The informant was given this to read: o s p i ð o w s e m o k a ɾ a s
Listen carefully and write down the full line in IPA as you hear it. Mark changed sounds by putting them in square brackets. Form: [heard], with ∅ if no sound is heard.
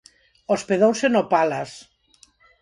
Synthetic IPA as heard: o s p [e] ð o w s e [n] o [p] a [l] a s